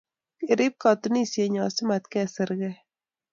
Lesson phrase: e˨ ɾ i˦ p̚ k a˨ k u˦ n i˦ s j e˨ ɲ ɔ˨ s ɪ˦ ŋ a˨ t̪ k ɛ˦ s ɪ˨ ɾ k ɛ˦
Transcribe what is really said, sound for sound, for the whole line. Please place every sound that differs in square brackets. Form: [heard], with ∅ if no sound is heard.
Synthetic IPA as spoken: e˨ ɾ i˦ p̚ k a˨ [t] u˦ n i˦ s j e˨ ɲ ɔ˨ s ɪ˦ [m] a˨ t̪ k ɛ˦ s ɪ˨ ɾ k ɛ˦